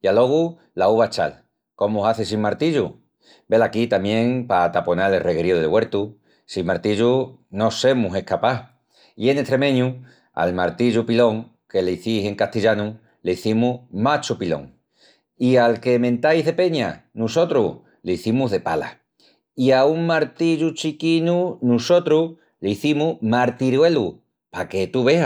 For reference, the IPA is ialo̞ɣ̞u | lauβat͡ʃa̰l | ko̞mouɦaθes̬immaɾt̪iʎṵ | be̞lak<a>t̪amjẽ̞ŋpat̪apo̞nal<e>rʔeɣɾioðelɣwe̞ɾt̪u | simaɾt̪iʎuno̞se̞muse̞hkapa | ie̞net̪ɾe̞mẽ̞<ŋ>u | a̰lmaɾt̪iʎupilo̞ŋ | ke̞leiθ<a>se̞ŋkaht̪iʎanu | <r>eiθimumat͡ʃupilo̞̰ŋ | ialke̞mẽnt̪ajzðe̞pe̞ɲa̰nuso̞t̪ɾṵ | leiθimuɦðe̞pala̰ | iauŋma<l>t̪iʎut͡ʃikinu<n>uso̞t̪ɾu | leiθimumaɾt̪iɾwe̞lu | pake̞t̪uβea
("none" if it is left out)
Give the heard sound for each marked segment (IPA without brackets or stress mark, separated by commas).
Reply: i, e, ɲ, i, l, ɾ, n